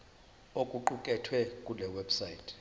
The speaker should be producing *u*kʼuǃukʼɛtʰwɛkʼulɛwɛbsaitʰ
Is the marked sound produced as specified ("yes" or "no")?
no